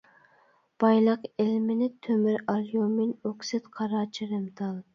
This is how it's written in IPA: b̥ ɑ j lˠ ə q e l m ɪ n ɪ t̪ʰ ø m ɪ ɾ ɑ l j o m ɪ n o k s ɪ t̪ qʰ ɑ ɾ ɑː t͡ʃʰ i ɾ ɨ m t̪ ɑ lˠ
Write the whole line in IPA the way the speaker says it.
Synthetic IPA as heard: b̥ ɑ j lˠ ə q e l m ɪ n ɪ t̪ʰ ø m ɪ ɾ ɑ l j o m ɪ n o k s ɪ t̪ qʰ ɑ ɾ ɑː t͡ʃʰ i ɾ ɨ m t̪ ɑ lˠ